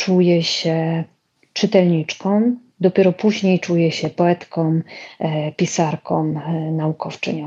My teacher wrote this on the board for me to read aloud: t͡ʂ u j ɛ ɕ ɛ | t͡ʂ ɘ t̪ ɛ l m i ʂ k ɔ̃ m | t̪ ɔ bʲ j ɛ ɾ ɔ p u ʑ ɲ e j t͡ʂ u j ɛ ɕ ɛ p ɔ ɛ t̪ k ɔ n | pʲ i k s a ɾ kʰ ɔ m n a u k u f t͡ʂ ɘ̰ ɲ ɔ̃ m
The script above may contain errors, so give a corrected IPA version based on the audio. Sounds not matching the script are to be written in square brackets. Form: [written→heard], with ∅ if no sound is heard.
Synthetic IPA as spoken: t͡ʂ u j ɛ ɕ ɛ | t͡ʂ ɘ t̪ ɛ l [m→ɲ] i [ʂ→t͡ʂ] k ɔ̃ m | [t̪→d̪] ɔ [bʲ→pʲ] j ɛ ɾ ɔ p u ʑ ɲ e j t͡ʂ u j ɛ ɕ ɛ p ɔ ɛ t̪ k ɔ [n→m] | pʲ i [k→∅] s a ɾ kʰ ɔ m n a u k [u→ɔ] f t͡ʂ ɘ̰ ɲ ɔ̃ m